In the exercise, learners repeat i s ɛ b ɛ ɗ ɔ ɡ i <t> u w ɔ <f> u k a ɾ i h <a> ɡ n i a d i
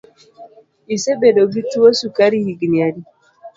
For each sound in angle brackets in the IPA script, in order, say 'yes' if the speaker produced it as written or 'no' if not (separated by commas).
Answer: yes, no, no